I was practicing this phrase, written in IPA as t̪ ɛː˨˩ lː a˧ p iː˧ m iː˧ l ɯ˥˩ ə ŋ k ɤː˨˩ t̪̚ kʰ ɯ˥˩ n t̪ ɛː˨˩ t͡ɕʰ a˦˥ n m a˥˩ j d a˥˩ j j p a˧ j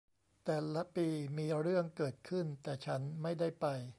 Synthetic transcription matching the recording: t̪ ɛː˨˩ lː a˦˥ p iː˧ m iː˧ ɾ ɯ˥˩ ə ŋ k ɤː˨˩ t̪̚ kʰ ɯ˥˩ n t̪ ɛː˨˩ t͡ɕʰ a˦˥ n m a˥˩ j d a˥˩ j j p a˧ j